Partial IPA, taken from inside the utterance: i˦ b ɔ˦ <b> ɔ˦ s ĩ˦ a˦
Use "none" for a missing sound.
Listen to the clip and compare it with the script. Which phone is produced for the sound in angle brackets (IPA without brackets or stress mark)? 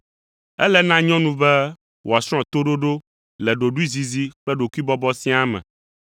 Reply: b